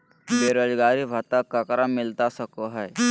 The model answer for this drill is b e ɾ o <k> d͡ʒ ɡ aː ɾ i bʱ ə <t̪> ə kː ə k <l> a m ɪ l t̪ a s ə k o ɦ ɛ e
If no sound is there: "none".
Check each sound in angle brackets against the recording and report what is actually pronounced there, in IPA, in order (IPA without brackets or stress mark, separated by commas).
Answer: none, t̪, ɾ